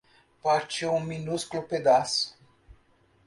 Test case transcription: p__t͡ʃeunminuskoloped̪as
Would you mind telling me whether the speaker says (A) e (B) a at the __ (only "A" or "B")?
B